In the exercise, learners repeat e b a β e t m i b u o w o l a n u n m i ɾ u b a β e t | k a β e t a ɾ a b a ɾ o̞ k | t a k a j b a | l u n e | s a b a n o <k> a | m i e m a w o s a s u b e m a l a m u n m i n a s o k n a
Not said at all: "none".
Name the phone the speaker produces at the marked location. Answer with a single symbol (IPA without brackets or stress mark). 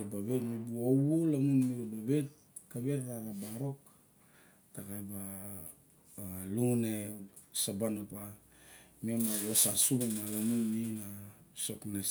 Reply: p